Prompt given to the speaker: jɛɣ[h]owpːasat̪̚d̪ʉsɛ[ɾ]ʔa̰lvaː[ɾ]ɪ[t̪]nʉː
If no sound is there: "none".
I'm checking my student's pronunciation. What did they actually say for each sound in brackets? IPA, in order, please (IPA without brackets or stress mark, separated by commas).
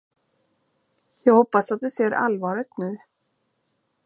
h, ɾ, ɾ, t̪